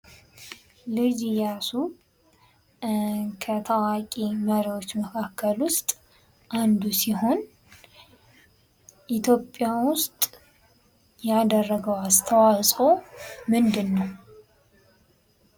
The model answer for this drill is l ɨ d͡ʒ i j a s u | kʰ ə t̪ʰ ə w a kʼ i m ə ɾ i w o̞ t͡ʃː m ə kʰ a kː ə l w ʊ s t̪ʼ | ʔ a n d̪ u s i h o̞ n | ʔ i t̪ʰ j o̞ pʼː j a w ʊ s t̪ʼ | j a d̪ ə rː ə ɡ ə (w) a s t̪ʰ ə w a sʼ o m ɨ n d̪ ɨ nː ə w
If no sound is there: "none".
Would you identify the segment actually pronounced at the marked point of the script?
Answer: w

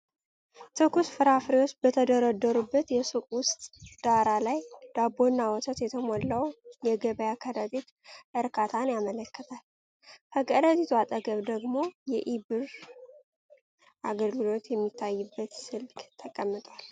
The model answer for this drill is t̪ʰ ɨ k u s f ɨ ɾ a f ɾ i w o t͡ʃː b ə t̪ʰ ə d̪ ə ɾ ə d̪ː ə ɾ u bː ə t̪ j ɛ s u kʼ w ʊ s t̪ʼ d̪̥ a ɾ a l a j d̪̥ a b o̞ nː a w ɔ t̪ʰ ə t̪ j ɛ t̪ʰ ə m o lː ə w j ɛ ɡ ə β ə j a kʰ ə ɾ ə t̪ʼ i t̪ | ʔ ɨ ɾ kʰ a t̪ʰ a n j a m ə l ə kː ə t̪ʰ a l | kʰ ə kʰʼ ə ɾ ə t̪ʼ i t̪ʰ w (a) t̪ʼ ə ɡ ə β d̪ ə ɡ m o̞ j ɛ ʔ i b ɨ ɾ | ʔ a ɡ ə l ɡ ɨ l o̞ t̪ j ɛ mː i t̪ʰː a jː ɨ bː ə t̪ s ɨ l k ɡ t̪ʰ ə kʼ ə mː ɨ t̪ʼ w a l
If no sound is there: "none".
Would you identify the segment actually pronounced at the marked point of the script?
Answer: a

